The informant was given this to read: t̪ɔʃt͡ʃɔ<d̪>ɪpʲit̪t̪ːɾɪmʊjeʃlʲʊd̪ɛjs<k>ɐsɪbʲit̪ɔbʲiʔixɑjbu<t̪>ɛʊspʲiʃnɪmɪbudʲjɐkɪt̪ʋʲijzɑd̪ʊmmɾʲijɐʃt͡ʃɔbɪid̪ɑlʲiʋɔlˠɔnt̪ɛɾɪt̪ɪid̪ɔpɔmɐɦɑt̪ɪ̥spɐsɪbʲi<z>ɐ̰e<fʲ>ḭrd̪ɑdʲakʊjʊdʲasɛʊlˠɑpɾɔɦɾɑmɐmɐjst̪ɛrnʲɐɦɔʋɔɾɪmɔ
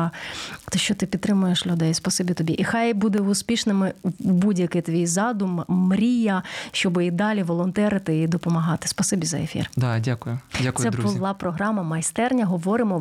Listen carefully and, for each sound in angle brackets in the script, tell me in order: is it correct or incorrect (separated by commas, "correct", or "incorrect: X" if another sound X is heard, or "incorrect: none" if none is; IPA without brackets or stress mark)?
incorrect: t̪, incorrect: p, incorrect: d̪, correct, correct